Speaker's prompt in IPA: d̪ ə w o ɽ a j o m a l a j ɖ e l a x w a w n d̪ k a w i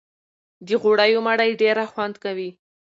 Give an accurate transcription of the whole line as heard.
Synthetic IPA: d̪ ə ɣ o ɽ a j o m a ɽ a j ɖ e ɾ a x w a n d̪ k a w i